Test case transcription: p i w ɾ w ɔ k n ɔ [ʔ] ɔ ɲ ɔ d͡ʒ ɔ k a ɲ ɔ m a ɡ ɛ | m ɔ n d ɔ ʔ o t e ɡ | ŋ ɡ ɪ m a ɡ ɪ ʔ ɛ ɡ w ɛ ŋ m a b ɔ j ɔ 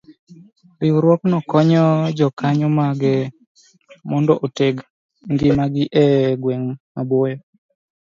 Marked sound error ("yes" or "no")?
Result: yes